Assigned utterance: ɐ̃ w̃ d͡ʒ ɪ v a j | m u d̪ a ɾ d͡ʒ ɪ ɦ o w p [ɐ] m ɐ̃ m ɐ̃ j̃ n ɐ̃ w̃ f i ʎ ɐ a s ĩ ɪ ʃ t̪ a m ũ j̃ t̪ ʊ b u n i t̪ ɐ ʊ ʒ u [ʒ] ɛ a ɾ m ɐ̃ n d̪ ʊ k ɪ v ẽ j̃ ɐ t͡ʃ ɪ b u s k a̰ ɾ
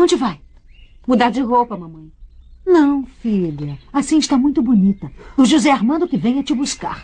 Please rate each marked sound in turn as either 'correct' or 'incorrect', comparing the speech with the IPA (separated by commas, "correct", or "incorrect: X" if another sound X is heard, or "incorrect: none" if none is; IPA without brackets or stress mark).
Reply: correct, incorrect: z